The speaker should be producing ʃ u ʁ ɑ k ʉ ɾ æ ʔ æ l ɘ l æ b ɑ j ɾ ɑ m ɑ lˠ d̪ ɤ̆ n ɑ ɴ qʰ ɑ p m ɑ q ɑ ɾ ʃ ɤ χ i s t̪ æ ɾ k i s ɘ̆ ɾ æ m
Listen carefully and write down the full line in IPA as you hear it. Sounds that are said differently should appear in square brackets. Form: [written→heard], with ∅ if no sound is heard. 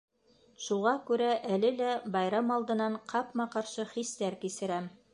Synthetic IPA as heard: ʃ u ʁ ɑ k ʉ ɾ æ ʔ æ l ɘ l æ b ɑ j ɾ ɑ m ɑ lˠ d̪ ɤ̆ n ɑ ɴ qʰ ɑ p m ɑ q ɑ ɾ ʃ ɤ χ i s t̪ æ ɾ k i s ɘ̆ ɾ æ m

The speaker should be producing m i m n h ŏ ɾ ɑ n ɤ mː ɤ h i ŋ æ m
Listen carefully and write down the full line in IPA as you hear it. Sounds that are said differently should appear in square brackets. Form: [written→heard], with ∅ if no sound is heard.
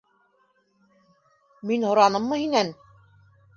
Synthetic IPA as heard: m i [m→∅] n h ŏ ɾ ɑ n ɤ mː ɤ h i [ŋ→n] æ [m→n]

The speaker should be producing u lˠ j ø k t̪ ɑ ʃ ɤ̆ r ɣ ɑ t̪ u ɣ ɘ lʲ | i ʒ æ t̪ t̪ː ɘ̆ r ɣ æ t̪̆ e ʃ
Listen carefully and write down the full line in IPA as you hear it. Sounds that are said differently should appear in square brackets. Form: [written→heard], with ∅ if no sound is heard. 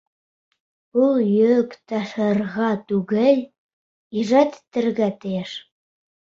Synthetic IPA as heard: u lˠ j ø k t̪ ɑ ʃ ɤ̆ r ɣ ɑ t̪ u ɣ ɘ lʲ | i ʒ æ t̪ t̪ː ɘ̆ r ɣ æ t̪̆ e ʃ

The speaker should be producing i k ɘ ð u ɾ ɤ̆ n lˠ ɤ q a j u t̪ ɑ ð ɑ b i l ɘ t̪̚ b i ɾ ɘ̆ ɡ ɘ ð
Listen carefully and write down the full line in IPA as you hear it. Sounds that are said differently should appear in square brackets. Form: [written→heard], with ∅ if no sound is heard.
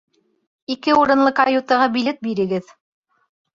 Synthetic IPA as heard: i k ɘ [ð→∅] u ɾ ɤ̆ n lˠ ɤ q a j u t̪ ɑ [ð→ʁ] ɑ b i l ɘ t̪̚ b i ɾ ɘ̆ ɡ ɘ ð

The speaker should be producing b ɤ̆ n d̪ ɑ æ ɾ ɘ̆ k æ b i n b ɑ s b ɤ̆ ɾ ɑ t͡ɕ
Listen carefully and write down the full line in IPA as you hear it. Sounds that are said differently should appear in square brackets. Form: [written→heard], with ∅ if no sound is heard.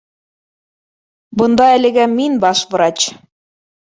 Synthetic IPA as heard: b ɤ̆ n d̪ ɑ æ [ɾ→l] ɘ̆ [k→ɡ] æ [b→m] i n b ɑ [s→ʃ] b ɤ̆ ɾ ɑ t͡ɕ

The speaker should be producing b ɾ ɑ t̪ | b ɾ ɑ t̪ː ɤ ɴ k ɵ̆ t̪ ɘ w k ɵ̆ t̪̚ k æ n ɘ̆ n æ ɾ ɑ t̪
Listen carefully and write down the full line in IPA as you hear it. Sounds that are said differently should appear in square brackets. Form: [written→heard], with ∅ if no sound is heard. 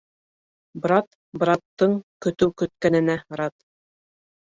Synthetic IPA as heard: b ɾ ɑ t̪ | b ɾ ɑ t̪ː ɤ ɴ k ɵ̆ t̪ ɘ w k ɵ̆ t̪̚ k æ n ɘ̆ n æ ɾ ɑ t̪

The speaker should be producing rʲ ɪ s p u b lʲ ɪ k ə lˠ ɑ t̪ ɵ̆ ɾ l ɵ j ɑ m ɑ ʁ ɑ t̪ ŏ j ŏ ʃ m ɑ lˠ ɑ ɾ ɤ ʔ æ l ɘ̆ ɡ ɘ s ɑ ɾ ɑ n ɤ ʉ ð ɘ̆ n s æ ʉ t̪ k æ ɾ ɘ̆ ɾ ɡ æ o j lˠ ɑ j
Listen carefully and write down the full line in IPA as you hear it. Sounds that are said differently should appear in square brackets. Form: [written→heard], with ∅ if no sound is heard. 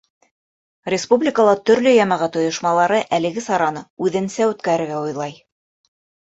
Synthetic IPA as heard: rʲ ɪ s p u b lʲ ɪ k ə lˠ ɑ t̪ ɵ̆ ɾ l ɵ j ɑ m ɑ ʁ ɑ t̪ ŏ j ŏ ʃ m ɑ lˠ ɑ ɾ ɤ ʔ æ l ɘ̆ ɡ ɘ s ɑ ɾ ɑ n ɤ ʉ ð ɘ̆ n s æ ʉ t̪ k æ ɾ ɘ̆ ɾ ɡ æ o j lˠ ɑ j

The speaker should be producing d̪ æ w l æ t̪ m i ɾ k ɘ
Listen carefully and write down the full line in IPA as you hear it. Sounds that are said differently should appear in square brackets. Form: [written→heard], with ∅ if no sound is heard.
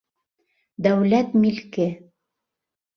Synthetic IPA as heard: d̪ æ w l æ t̪ m i [ɾ→l] k ɘ

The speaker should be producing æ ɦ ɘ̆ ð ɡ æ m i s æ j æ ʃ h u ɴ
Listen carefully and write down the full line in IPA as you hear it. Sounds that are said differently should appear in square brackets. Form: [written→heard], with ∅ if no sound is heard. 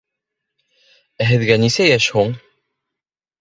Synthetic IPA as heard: æ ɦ ɘ̆ ð ɡ æ [m→n] i s æ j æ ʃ h u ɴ

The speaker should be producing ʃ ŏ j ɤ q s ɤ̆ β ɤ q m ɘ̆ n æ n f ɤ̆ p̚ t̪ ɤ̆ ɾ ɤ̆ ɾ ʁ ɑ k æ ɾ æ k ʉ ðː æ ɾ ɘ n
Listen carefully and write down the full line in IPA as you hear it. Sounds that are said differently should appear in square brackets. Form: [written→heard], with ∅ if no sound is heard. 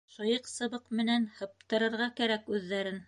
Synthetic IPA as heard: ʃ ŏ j ɤ q s ɤ̆ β ɤ q m ɘ̆ n æ n [f→h] ɤ̆ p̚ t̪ ɤ̆ ɾ ɤ̆ ɾ ʁ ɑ k æ ɾ æ k ʉ ðː æ ɾ ɘ n

